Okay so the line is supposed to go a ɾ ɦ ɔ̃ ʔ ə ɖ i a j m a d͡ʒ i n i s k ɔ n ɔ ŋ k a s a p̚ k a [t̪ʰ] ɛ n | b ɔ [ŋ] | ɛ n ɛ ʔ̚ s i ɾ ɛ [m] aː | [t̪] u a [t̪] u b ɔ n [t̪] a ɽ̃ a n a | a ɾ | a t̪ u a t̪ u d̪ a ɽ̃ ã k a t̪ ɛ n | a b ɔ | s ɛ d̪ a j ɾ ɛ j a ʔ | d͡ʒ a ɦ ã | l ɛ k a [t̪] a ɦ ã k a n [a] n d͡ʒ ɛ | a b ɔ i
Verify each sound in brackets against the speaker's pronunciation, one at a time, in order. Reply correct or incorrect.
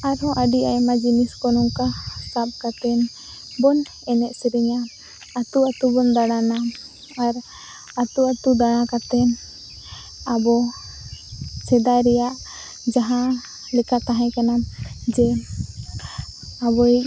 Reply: incorrect, incorrect, incorrect, correct, correct, incorrect, correct, correct

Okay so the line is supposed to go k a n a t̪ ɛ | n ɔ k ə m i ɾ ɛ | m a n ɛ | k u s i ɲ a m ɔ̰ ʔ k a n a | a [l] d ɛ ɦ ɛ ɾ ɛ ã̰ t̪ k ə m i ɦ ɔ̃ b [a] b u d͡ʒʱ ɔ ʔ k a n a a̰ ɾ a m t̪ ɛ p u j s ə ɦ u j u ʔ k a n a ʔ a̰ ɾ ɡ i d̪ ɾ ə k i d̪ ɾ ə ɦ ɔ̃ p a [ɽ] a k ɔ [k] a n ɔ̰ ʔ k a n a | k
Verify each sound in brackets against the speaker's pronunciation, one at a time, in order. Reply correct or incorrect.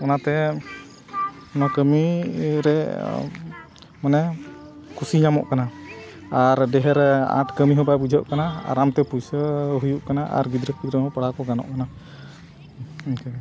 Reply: incorrect, correct, correct, incorrect

